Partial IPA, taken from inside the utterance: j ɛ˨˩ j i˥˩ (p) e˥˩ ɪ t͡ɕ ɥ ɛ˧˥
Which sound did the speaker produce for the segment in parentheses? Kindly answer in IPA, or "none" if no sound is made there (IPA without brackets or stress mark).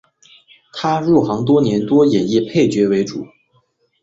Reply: pʰ